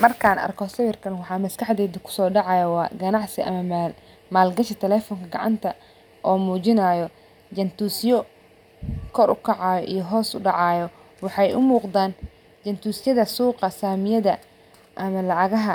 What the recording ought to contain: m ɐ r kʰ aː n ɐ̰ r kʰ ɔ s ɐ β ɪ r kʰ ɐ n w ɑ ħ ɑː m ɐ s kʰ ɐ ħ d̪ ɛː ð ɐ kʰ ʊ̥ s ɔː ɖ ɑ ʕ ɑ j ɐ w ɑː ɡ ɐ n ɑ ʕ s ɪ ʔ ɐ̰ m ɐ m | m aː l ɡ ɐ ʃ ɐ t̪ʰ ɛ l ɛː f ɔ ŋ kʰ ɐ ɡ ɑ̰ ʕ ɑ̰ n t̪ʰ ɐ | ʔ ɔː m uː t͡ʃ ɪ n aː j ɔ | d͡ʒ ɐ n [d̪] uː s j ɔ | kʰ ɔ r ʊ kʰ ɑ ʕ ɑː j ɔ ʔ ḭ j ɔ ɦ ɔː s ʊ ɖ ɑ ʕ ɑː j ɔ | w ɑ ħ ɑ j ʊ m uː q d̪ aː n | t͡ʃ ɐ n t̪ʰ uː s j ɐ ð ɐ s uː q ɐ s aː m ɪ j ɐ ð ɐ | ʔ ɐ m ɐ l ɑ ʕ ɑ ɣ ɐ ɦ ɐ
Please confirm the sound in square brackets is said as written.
no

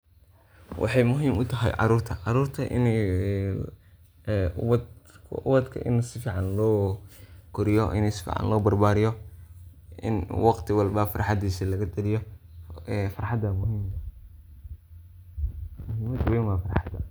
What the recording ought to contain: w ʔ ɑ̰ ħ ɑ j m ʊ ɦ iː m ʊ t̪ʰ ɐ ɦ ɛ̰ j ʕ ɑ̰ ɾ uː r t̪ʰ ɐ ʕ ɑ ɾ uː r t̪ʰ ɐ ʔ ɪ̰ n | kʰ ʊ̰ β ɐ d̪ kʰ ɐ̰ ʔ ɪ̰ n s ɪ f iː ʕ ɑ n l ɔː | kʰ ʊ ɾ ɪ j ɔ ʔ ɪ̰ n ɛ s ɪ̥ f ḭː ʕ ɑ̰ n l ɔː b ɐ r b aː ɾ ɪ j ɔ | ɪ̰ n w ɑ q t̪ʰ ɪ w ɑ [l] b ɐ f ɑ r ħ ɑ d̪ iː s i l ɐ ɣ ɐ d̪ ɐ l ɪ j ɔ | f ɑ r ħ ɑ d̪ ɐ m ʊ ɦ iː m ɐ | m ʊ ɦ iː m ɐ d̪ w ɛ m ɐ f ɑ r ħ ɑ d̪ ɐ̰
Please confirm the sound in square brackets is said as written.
yes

